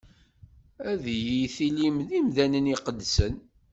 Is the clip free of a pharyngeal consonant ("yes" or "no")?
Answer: yes